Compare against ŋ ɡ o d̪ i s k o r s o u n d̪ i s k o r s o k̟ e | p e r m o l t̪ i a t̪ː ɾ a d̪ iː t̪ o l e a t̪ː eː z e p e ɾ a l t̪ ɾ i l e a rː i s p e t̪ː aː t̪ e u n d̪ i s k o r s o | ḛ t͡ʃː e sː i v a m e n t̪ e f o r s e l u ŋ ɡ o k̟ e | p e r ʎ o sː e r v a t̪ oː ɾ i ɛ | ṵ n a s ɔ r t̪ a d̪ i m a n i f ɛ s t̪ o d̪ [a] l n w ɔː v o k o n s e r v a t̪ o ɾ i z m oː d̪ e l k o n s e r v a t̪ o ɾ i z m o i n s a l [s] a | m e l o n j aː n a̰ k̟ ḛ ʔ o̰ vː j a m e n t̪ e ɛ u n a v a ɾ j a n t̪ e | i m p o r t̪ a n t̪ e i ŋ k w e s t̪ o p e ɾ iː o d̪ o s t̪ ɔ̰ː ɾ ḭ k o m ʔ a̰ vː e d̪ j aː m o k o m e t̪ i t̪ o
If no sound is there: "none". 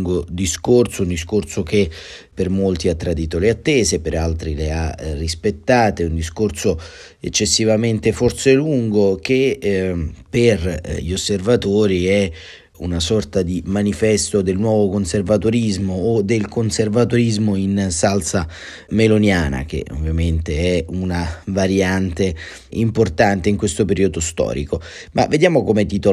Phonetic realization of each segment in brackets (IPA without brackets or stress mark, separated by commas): e, s